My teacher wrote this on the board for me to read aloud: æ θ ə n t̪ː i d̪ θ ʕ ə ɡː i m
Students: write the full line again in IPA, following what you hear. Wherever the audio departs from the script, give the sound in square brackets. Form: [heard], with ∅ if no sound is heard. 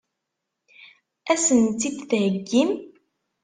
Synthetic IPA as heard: æ [s] ə n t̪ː i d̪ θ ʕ ə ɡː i m